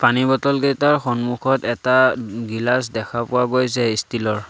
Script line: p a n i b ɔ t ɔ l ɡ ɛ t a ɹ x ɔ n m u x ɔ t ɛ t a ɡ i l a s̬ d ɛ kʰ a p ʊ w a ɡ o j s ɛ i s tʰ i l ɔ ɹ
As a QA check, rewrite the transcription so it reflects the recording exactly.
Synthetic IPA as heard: p a n i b ɔ t ɔ l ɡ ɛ t a ɹ x ɔ n m u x ɔ t ɛ t a ɡ i l a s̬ d ɛ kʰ a p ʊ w a ɡ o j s ɛ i s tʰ i l ɔ ɹ